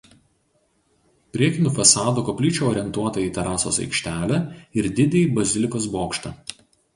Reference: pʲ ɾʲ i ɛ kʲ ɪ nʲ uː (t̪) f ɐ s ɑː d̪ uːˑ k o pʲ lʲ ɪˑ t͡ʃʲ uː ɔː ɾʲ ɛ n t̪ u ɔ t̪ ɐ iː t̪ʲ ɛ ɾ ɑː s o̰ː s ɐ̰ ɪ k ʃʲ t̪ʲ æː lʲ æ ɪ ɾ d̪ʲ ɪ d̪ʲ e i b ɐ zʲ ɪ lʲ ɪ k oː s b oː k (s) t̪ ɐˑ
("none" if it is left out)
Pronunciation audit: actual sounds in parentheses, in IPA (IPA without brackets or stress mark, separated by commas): none, ʃ